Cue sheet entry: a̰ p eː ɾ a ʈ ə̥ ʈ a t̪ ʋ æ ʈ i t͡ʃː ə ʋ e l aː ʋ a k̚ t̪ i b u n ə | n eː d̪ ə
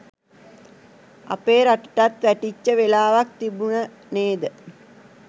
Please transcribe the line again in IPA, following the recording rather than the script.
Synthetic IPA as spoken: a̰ p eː ɾ a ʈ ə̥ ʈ a t̪ ʋ æ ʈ i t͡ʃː ə ʋ e l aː ʋ a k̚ t̪ i b u n ə | n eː d̪ ə